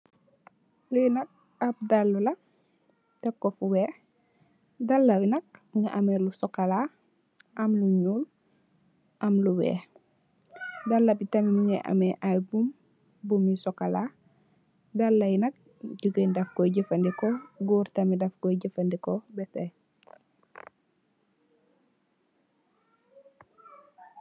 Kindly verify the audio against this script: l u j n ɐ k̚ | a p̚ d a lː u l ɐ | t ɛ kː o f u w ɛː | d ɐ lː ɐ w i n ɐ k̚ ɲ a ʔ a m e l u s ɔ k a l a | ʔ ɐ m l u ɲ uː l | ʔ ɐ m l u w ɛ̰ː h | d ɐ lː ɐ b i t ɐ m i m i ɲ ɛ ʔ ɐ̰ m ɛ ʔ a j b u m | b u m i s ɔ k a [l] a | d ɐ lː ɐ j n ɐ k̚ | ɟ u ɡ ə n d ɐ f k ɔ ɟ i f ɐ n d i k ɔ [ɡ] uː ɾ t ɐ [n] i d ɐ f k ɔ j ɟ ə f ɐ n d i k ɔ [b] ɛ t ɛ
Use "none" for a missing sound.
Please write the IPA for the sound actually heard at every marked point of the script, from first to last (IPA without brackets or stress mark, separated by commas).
l, ɡ, m, b